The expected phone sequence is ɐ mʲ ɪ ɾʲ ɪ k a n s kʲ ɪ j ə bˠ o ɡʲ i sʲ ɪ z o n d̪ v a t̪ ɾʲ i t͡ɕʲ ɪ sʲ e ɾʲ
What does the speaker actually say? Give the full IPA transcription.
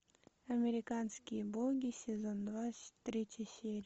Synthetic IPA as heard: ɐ mʲ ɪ ɾʲ ɪ k a n s kʲ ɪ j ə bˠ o ɡʲ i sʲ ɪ z o n d̪ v a t̪ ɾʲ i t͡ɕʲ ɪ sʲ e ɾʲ